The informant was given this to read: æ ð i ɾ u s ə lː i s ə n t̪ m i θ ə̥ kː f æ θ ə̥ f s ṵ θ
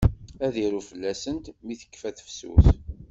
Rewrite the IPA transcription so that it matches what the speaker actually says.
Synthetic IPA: æ ð i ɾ u f ə lː æ s ə n t̪ m i θ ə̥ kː f æ θ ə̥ f s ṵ θ